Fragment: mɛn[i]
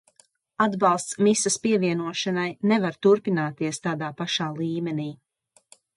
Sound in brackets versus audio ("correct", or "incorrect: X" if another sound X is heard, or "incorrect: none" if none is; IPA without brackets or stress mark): incorrect: iː